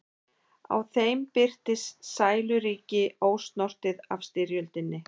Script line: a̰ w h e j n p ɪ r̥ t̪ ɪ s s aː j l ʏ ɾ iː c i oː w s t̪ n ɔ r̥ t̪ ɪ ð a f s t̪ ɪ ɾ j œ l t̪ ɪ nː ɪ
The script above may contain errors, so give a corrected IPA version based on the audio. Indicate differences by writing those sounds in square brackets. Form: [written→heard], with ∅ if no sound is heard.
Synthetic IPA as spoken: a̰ w [h→θ] e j [n→m] p ɪ r̥ t̪ ɪ s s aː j l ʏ ɾ iː c [i→ɪ] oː w s t̪ n ɔ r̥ t̪ ɪ ð a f s t̪ ɪ ɾ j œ l t̪ ɪ nː ɪ